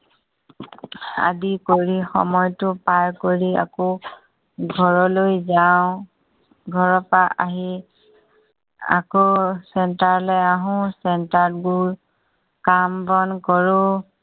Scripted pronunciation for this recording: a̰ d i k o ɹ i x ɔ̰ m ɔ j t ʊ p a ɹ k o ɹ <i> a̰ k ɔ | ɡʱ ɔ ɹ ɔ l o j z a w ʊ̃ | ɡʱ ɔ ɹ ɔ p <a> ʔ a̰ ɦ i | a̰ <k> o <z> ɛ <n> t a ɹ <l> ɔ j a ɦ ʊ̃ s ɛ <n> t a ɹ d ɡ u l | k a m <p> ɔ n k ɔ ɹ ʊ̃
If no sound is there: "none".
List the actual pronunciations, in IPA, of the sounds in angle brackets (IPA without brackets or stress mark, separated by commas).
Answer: i, a, k, s, n, l, n, b